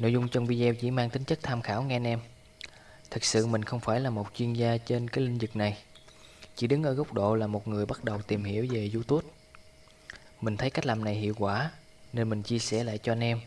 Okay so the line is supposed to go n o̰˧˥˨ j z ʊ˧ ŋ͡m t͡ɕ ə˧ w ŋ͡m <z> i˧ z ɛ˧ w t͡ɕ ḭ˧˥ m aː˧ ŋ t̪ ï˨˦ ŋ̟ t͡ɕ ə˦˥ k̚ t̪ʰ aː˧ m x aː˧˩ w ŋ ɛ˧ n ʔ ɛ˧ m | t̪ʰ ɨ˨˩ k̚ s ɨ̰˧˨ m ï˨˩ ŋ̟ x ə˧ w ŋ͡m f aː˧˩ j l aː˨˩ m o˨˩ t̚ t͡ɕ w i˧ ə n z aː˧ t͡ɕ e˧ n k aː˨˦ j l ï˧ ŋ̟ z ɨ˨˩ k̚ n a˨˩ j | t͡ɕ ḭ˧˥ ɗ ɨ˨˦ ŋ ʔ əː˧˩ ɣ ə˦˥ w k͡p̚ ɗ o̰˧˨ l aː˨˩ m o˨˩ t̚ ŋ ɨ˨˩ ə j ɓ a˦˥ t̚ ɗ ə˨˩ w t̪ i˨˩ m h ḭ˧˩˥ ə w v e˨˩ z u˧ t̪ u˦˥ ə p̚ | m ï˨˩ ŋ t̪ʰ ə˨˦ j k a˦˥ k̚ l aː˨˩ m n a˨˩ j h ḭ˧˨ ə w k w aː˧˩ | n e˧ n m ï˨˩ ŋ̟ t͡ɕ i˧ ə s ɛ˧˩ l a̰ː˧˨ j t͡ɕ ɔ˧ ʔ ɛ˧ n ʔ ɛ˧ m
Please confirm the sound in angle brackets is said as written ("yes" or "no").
no